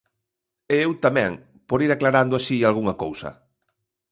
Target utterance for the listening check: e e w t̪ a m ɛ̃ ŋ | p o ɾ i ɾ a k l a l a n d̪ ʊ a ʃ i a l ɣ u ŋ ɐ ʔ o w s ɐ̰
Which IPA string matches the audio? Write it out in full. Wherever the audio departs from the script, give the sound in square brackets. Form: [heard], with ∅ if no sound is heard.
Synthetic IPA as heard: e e w t̪ a m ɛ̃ ŋ | p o ɾ i ɾ a k l a [ɾ] a n d̪ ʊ a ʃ i a l ɣ u ŋ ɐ [k] o w s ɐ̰